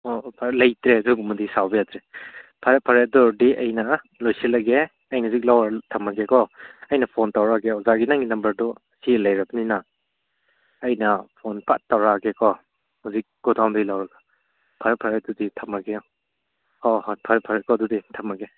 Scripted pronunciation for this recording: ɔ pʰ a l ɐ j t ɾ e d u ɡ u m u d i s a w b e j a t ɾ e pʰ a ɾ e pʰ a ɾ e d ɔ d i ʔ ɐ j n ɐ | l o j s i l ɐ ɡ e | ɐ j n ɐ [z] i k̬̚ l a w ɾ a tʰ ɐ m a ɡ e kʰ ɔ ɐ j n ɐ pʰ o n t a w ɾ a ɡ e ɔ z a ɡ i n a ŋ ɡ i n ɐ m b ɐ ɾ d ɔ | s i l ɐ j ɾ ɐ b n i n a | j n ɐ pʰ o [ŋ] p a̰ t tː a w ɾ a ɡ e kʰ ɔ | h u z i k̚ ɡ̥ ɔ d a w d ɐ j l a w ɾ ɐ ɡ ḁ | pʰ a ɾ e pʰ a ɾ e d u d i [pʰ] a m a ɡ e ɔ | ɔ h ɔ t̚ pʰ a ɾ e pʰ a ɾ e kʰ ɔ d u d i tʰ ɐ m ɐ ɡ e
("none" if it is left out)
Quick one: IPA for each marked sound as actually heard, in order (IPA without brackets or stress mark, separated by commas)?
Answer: z, n, tʰ